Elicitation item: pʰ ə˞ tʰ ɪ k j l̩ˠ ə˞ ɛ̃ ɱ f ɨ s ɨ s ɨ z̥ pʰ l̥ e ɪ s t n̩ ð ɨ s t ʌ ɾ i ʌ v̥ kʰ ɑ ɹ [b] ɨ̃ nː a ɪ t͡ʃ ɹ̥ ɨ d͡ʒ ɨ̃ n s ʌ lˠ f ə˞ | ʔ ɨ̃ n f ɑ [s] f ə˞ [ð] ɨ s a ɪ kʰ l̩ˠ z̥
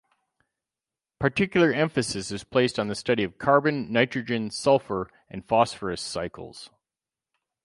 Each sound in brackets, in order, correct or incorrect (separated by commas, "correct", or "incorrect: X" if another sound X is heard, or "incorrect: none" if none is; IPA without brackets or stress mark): correct, correct, incorrect: none